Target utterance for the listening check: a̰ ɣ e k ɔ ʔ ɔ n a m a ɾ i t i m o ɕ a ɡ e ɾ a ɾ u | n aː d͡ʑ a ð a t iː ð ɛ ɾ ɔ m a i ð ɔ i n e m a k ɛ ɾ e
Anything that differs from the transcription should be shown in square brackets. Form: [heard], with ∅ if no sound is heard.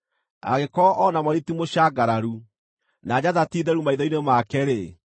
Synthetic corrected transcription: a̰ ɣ e k ɔ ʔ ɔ n a m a ɾ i t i m o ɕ a ɡ [a] ɾ a ɾ u | n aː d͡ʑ a ð a t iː ð ɛ ɾ [u] m a i ð ɔ i n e m a k ɛ ɾ e